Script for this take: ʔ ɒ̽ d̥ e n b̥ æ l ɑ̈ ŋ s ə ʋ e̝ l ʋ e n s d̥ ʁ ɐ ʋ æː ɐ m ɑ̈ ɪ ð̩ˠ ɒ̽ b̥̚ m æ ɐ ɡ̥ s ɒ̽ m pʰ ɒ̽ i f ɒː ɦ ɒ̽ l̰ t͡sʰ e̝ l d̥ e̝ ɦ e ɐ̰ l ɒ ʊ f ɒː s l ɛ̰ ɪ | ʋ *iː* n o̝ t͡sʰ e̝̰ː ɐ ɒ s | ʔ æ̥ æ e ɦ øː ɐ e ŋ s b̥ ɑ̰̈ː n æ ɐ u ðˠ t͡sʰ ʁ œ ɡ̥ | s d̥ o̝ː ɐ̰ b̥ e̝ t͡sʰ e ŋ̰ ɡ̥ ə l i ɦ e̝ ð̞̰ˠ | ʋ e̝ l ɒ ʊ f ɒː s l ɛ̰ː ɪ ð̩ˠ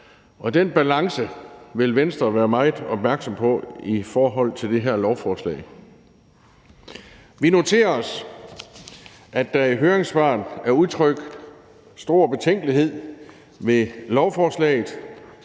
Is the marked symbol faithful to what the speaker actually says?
no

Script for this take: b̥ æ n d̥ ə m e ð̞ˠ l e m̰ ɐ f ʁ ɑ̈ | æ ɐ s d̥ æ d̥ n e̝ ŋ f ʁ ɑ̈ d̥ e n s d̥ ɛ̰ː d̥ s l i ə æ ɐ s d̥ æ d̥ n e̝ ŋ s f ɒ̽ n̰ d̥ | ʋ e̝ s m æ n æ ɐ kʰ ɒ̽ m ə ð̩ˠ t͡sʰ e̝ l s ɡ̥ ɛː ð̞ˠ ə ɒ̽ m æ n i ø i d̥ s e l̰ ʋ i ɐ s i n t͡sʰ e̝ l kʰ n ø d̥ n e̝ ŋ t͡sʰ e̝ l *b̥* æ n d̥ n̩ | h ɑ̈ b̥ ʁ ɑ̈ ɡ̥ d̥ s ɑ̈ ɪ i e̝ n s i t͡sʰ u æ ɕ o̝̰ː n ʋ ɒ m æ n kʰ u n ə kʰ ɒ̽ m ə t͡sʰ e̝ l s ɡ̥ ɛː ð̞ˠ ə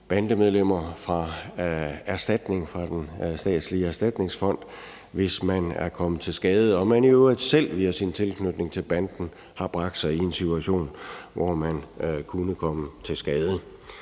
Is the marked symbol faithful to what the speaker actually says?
yes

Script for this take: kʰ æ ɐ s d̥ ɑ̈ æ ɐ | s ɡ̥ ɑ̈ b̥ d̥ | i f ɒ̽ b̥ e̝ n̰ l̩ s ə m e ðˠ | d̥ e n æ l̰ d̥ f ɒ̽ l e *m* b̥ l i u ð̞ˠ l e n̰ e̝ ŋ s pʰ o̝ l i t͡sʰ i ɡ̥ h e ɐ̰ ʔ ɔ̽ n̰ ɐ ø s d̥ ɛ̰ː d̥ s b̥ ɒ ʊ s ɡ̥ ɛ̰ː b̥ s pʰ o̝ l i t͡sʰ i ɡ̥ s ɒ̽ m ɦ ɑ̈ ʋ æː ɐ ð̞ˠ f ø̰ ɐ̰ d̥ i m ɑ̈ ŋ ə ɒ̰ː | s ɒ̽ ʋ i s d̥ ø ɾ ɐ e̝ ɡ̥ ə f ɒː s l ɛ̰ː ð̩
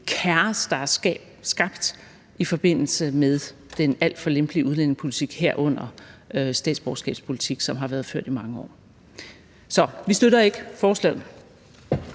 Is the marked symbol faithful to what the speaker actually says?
yes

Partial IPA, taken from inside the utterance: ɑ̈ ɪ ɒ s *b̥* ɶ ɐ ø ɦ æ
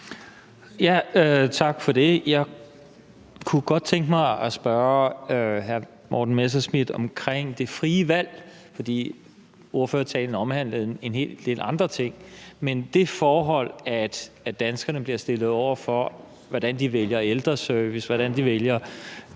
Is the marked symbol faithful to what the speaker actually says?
yes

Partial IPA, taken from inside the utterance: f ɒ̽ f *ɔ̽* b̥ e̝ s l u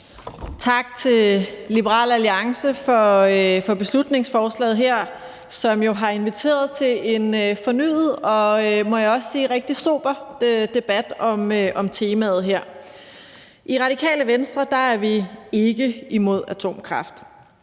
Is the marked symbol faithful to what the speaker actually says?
no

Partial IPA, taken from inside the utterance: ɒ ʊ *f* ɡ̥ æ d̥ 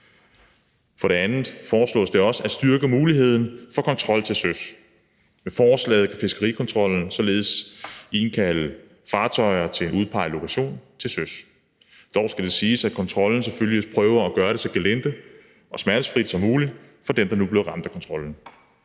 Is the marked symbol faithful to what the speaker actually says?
no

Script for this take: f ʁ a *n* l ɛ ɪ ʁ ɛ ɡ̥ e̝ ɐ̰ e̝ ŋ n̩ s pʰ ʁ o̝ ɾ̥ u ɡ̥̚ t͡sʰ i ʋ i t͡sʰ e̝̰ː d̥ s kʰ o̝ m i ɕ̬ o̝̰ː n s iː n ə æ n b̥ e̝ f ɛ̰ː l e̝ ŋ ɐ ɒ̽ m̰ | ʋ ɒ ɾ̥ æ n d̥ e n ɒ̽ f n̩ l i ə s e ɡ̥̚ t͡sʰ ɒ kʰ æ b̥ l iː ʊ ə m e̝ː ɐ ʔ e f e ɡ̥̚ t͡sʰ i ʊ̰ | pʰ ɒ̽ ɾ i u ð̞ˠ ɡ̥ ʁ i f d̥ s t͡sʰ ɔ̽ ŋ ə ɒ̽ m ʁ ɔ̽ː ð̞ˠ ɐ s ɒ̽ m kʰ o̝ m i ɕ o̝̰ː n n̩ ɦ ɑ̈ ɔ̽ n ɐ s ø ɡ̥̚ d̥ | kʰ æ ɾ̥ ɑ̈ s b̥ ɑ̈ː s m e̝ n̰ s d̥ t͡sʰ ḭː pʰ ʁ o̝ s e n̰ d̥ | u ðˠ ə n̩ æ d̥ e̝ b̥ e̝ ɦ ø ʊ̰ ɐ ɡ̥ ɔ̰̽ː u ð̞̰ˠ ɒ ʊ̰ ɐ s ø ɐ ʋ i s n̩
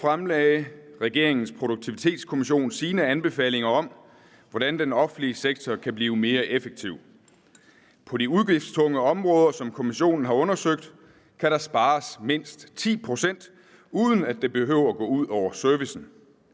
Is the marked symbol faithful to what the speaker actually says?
no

